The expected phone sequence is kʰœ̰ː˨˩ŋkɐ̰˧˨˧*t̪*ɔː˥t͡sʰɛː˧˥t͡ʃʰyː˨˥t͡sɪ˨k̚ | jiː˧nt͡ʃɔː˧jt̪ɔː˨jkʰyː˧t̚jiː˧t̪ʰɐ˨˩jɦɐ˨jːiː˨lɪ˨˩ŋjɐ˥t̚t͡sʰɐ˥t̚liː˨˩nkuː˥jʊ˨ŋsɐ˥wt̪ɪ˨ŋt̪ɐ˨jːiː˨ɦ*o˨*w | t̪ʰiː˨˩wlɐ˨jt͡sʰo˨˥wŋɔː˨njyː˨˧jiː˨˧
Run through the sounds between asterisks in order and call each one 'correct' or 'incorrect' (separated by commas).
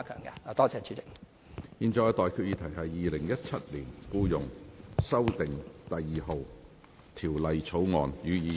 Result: correct, correct